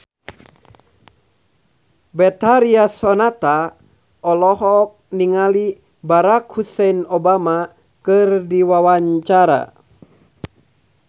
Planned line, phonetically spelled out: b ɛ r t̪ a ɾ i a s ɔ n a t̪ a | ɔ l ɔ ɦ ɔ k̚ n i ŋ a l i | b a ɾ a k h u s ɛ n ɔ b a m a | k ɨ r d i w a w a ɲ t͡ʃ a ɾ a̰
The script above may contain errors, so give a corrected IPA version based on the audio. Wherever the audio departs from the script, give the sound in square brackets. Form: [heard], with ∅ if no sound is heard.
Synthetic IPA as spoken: b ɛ [∅] t̪ a ɾ i a s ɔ n a t̪ a | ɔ l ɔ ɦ ɔ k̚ n i ŋ a l i | b a ɾ a k h u s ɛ n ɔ b a m a | k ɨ r d i w a w a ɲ t͡ʃ a ɾ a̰